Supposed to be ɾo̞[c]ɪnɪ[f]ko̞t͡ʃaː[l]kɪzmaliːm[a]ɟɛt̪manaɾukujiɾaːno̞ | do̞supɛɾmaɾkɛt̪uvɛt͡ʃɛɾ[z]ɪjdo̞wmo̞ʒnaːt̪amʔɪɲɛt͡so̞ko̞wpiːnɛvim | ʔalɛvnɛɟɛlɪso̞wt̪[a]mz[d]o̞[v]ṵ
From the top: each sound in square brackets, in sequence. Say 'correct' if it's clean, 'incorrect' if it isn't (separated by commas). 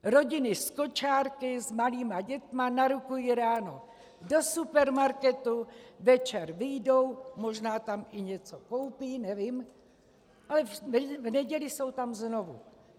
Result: incorrect, incorrect, incorrect, correct, incorrect, correct, incorrect, correct